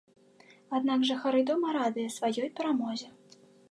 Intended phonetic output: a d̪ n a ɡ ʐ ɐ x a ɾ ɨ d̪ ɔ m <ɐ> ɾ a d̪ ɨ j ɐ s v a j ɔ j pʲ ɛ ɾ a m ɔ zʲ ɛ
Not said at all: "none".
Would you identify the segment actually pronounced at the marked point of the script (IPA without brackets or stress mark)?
ɐ